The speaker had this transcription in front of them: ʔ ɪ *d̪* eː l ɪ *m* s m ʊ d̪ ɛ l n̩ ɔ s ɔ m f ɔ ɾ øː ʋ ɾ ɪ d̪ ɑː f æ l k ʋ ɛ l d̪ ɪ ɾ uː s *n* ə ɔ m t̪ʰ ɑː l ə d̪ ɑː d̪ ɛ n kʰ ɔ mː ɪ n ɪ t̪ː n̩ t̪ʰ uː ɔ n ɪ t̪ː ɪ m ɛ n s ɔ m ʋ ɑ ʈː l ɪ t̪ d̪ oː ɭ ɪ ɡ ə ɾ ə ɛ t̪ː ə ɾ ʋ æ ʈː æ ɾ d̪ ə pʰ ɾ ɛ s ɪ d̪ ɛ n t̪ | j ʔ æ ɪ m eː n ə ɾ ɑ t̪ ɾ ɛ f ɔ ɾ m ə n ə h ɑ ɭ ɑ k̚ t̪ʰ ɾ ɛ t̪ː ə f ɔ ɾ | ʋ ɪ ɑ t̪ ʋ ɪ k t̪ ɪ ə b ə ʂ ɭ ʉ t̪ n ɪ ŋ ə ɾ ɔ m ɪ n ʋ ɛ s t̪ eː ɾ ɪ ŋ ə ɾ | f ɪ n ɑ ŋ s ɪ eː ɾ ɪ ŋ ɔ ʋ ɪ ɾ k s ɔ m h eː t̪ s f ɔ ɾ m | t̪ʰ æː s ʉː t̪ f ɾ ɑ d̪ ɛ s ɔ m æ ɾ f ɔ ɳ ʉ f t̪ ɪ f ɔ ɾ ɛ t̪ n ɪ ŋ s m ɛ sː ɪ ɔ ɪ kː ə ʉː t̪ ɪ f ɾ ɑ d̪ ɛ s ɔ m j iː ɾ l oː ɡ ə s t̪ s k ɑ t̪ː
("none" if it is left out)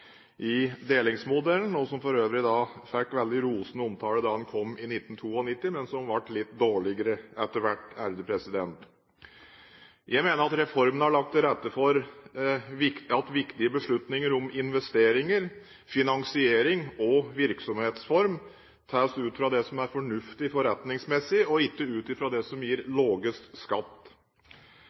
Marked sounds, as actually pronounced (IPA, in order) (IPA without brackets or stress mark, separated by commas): d̪, ŋ, n